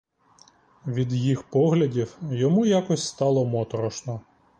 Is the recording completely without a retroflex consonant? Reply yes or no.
yes